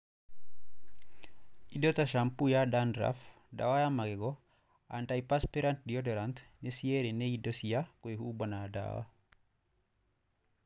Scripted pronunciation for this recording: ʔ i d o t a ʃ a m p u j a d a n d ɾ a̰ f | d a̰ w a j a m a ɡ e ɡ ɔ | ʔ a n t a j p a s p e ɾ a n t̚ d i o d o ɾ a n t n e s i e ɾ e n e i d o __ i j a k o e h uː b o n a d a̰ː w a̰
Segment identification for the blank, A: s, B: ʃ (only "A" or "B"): A